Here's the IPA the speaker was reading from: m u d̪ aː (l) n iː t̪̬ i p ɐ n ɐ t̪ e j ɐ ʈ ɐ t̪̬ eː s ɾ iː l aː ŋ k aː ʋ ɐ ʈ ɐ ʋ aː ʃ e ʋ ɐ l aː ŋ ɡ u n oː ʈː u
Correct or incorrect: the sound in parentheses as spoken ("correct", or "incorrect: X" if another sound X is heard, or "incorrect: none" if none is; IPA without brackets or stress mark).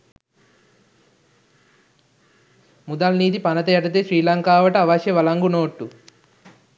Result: correct